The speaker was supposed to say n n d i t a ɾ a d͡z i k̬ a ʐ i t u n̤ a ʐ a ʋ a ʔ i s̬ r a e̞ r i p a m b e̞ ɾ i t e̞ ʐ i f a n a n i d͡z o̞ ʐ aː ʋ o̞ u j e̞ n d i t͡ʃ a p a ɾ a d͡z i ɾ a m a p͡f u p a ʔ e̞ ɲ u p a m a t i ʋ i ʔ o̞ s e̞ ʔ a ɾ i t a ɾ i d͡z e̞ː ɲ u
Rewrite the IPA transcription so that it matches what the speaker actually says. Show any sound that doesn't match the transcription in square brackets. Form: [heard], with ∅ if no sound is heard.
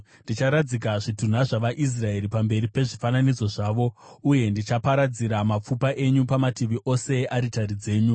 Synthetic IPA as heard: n n d i [t͡ʃ] a ɾ a d͡z i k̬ a ʐ i t u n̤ a ʐ a ʋ a ʔ i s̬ r a e̞ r i p a m b e̞ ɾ i [p] e̞ ʐ i f a n a n i d͡z o̞ ʐ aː ʋ o̞ u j e̞ n d i t͡ʃ a p a ɾ a d͡z i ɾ a m a p͡f u p a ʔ e̞ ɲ u p a m a t i ʋ i ʔ o̞ s e̞ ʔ a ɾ i t a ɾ i d͡z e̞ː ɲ u